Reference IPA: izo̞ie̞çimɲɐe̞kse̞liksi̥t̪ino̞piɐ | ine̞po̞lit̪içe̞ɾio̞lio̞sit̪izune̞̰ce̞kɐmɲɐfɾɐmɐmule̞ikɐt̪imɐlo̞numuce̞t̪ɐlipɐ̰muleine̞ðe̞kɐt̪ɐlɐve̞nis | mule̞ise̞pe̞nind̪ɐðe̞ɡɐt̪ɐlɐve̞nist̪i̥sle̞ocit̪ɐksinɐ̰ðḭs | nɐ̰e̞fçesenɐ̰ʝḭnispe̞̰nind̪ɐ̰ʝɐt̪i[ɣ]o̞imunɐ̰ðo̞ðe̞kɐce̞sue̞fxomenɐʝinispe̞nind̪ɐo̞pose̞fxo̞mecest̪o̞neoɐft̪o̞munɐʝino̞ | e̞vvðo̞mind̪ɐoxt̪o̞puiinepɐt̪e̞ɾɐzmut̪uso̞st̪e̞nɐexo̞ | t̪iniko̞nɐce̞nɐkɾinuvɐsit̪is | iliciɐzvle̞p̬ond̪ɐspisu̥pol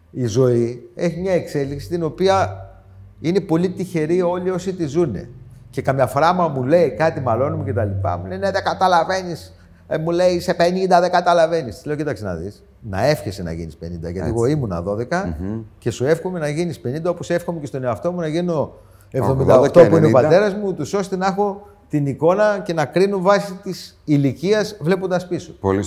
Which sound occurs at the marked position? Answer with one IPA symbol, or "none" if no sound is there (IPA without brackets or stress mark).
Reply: ɣ